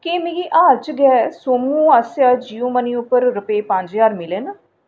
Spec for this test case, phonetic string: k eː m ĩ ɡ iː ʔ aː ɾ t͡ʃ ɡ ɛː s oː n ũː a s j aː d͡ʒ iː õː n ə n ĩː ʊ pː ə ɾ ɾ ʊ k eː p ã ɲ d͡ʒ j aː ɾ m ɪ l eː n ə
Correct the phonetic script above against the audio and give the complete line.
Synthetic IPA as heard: k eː m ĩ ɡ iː ʔ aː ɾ t͡ʃ ɡ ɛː s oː m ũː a s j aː d͡ʒ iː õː m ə n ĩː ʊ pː ə ɾ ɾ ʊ p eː p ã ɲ d͡ʒ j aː ɾ m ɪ l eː n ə